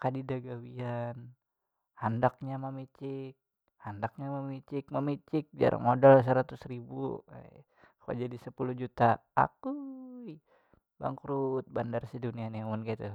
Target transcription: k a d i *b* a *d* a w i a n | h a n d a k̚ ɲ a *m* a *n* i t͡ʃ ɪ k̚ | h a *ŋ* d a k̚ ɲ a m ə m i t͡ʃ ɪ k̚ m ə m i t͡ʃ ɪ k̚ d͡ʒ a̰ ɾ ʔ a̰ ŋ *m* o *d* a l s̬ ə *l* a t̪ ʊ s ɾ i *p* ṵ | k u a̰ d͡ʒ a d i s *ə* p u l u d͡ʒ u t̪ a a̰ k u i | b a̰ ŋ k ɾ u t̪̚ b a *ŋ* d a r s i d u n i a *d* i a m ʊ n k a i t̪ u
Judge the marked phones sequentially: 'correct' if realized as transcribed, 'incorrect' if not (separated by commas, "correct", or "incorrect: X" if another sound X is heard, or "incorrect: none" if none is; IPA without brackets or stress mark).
incorrect: d, incorrect: ɡ, correct, incorrect: m, incorrect: n, correct, correct, incorrect: ɾ, incorrect: b, correct, incorrect: n, incorrect: n